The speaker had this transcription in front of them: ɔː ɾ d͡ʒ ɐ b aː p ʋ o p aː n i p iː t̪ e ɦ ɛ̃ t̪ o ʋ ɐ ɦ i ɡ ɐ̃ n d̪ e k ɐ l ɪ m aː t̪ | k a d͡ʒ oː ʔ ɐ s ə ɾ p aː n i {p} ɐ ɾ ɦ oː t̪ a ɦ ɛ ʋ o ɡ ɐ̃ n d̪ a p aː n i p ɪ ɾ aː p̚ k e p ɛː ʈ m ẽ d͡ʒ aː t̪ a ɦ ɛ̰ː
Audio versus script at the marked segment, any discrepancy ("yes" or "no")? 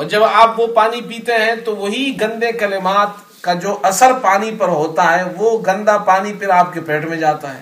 no